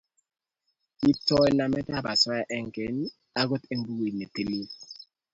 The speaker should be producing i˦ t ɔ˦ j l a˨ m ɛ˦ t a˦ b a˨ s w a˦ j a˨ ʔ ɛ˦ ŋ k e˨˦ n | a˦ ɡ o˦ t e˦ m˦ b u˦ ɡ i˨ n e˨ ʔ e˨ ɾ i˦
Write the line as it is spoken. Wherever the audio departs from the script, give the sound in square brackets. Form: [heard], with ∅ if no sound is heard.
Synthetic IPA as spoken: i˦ t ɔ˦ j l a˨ m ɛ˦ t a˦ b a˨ s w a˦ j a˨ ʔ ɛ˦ ŋ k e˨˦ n | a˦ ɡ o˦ t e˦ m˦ b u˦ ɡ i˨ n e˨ [t] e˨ [l] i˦